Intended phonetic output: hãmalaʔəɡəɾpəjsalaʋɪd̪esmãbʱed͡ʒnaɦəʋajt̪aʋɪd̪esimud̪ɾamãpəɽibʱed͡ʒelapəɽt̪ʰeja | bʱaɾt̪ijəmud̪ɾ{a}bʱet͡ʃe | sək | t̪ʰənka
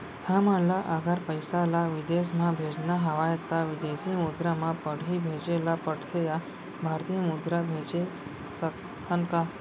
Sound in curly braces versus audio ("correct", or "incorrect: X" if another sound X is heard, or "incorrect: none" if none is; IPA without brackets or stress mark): correct